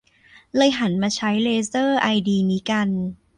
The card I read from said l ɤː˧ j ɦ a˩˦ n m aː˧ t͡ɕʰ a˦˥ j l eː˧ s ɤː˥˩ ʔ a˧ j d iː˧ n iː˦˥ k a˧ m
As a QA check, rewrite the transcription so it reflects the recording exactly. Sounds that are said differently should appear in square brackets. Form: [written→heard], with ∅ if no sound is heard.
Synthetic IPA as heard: l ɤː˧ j ɦ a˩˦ n m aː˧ t͡ɕʰ a˦˥ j l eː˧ s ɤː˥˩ ʔ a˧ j d iː˧ n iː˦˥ k a˧ [m→n]